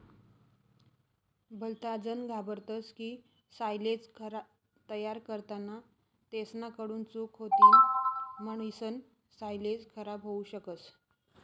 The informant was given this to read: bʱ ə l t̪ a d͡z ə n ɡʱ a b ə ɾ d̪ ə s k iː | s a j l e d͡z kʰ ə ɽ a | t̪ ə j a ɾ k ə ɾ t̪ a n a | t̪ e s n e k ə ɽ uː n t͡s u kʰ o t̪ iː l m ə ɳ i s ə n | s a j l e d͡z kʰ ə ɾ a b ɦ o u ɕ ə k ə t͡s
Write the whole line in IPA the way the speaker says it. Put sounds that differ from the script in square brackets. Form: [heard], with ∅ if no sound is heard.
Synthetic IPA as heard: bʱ ə l t̪ a d͡z ə n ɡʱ a b ə ɾ [t̪] ə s k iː | s a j l e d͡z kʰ ə [ɾ] a | t̪ ə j a ɾ k ə ɾ t̪ a n a | t̪ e s n [a] k ə ɽ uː n t͡s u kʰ o t̪ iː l m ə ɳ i s ə n | s a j l e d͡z kʰ ə ɾ a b ɦ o u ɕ ə k ə t͡s